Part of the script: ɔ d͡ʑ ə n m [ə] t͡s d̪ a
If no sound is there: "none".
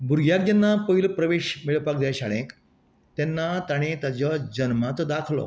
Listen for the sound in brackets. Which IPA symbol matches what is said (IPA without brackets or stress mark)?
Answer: a